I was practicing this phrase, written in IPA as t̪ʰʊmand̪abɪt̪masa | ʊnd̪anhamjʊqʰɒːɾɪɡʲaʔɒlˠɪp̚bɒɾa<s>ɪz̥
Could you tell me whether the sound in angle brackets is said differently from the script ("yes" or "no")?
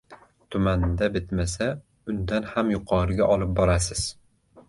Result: no